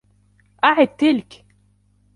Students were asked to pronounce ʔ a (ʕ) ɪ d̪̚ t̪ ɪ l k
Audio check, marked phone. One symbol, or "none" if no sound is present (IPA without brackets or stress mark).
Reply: ʕ